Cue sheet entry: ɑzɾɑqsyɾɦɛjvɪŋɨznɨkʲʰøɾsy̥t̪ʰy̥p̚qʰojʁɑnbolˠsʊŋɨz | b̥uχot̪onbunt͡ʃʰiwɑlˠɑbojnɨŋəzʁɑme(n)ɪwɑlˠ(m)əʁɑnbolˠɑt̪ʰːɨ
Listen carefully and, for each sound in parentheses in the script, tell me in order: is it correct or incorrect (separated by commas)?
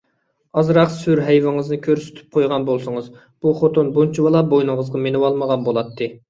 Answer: correct, correct